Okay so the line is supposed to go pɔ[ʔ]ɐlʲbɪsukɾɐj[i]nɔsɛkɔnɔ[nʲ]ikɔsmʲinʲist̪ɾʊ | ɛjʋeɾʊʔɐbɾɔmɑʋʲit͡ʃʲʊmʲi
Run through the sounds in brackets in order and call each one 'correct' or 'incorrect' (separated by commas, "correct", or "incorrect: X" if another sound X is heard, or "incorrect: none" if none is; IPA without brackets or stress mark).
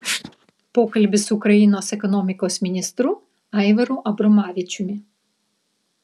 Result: incorrect: k, correct, incorrect: mʲ